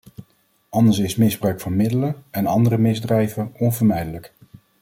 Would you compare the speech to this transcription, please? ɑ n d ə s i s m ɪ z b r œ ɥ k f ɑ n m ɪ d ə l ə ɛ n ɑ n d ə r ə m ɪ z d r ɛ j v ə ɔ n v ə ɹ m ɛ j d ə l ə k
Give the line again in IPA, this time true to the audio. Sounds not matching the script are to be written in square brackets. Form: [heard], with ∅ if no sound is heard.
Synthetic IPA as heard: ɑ n d ə s [ɪ] s m ɪ z b r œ ɥ k f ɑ n m ɪ d ə l ə ɛ n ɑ n d ə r ə m ɪ z d r ɛ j v ə ɔ n v ə ɹ m ɛ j d ə l ə k